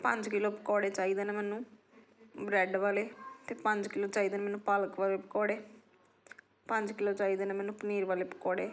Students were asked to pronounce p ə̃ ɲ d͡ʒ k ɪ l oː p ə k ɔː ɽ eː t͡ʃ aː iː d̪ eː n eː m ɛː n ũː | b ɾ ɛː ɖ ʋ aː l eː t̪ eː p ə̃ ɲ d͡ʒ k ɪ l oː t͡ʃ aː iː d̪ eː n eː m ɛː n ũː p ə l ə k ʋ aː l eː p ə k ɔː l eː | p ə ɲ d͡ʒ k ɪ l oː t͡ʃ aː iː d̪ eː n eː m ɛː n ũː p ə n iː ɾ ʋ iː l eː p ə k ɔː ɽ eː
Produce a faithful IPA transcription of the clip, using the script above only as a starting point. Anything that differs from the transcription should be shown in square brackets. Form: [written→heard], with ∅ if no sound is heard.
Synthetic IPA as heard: p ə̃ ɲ d͡ʒ k ɪ l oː p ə k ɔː ɽ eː t͡ʃ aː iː d̪ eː n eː m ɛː n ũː | b ɾ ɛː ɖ ʋ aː l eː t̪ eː p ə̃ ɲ d͡ʒ k ɪ l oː t͡ʃ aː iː d̪ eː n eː m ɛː n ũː p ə l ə k ʋ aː l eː p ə k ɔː [l→ɽ] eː | p ə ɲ d͡ʒ k ɪ l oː t͡ʃ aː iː d̪ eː n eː m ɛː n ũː p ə n iː ɾ ʋ [iː→aː] l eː p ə k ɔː ɽ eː